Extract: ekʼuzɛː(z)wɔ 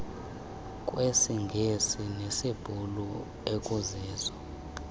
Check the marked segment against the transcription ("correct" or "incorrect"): correct